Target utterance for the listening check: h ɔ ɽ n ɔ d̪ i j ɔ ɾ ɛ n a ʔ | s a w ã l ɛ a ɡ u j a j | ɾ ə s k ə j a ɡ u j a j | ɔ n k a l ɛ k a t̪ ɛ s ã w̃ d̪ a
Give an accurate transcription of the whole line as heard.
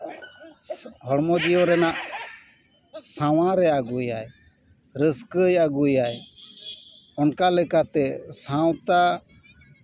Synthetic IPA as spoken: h ɔ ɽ m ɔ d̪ i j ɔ ɾ ɛ n a ʔ | s a w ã ɾ ɛ a ɡ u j a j | ɾ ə s k ə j a ɡ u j a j | ɔ n k a l ɛ k a t̪ ɛ s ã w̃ t̪ a